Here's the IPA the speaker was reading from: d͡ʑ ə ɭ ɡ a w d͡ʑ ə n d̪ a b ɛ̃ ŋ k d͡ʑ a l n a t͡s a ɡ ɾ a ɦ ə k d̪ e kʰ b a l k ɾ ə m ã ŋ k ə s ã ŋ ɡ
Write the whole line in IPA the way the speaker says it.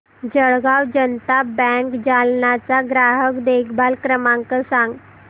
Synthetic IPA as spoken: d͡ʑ ə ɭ ɡ a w d͡ʑ ə n t̪ a b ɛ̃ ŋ k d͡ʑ a l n a t͡s a ɡ ɾ a ɦ ə k d̪ e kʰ b a l k ɾ ə m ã ŋ k ə s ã ŋ ɡ